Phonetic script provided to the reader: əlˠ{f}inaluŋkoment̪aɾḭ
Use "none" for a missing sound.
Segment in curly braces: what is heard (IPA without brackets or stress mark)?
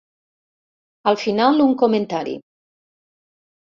f